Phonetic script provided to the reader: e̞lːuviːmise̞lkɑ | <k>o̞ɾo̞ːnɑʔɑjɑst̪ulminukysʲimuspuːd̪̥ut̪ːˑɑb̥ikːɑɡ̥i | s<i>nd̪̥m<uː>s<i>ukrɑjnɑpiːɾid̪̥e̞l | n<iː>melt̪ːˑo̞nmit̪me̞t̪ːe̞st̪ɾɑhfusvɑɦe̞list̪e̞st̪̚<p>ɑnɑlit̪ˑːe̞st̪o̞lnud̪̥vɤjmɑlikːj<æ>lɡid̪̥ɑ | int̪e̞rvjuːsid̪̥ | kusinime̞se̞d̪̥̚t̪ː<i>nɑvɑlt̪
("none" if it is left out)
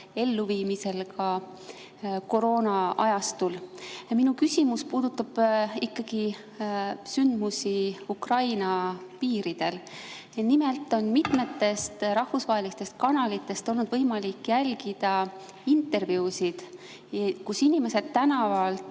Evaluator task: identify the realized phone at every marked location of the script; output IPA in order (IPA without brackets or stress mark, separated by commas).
k, y, u, i, i, k, æ, æ